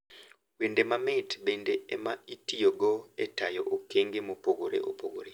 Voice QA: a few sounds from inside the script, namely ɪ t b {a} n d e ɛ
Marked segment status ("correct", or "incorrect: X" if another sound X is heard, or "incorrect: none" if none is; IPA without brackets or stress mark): incorrect: e